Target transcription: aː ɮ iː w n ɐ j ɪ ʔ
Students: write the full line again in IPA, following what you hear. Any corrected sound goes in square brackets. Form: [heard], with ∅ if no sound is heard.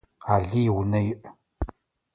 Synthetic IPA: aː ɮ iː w n ɐ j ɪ ʔ